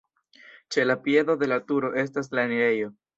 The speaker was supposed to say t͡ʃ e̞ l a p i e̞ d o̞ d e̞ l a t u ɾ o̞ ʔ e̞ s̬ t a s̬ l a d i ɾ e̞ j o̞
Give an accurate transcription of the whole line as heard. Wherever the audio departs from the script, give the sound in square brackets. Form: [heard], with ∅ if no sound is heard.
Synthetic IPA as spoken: t͡ʃ e̞ l a p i e̞ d o̞ d e̞ l a t u ɾ o̞ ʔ e̞ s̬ t a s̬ l a [n] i ɾ e̞ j o̞